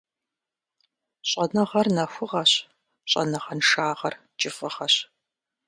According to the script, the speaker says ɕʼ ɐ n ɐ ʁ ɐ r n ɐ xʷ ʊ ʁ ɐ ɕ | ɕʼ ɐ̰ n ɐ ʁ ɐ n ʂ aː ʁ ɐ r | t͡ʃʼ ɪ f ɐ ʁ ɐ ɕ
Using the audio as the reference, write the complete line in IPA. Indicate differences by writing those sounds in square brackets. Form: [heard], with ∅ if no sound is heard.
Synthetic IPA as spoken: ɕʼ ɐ n ɐ ʁ ɐ r n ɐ xʷ ʊ ʁ ɐ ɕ | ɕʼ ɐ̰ n ɐ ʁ ɐ n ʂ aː ʁ ɐ r | t͡ʃʼ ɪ f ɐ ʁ ɐ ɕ